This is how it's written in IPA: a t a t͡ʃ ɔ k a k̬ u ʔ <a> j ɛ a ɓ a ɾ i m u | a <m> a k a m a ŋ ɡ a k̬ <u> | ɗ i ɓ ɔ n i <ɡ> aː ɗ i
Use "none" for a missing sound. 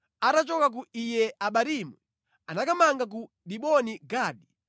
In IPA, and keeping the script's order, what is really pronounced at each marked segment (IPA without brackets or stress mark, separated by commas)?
i, n, u, ɡ